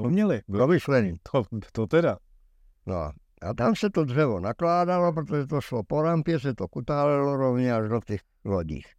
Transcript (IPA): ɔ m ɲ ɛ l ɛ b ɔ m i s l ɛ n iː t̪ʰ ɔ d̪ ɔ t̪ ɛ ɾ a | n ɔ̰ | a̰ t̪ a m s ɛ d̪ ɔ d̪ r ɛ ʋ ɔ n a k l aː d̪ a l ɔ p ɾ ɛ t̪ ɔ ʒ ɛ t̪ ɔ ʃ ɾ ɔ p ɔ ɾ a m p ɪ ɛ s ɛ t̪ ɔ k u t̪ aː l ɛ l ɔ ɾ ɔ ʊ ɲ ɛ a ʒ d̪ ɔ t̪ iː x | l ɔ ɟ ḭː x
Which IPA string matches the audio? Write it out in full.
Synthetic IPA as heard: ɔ m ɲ ɛ l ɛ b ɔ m i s l ɛ n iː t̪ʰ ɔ t̪ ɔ t̪ ɛ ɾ a | n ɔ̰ | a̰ t̪ a m s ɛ t̪ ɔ d̪ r ɛ ʋ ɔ n a k l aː d̪ a l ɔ p ɾ ɛ t̪ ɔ ʒ ɛ t̪ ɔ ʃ l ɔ p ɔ ɾ a m p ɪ ɛ s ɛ t̪ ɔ k u t̪ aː l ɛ l ɔ ɾ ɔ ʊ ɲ ɛ a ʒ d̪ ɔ t̪ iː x | l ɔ ɟ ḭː x